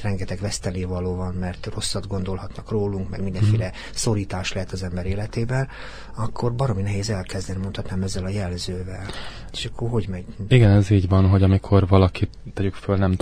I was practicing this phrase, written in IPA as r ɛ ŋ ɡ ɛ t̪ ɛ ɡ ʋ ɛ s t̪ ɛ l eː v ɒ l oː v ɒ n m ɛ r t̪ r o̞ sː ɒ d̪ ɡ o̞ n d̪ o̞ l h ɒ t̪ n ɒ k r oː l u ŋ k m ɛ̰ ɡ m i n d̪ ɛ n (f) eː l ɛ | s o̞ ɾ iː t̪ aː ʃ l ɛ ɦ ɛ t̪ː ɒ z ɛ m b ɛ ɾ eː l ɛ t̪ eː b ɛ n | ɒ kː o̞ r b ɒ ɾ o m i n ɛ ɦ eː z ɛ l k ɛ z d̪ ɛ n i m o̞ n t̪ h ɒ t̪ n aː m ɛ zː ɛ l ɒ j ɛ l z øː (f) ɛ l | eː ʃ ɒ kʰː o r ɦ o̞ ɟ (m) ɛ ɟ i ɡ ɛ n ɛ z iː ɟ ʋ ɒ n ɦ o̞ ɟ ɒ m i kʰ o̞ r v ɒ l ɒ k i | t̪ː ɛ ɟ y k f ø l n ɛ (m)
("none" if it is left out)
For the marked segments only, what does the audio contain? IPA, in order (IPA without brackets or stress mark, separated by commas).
f, v, m, m